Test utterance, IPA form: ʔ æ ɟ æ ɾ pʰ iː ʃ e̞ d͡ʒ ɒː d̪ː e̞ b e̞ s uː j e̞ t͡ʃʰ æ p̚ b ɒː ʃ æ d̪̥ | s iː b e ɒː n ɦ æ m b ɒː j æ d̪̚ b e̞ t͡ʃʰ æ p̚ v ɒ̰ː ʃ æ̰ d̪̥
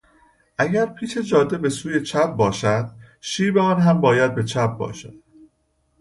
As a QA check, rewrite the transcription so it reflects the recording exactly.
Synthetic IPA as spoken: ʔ æ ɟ æ ɾ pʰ iː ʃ e̞ d͡ʒ ɒː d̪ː e̞ b e̞ s uː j e̞ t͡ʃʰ æ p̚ b ɒː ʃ æ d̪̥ | ʃ iː b e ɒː n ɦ æ m b ɒː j æ d̪̚ b e̞ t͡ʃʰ æ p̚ b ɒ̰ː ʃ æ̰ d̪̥